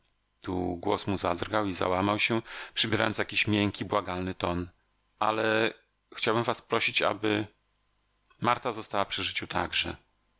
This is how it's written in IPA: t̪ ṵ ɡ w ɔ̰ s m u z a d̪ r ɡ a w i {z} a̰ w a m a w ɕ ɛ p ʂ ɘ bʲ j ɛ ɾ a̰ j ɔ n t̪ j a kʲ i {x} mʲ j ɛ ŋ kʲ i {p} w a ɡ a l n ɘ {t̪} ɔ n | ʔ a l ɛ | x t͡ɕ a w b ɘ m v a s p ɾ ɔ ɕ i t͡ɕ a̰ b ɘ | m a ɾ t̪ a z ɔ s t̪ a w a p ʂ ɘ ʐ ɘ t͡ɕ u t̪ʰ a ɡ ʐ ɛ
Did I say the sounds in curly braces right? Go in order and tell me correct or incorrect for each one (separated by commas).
correct, incorrect, incorrect, correct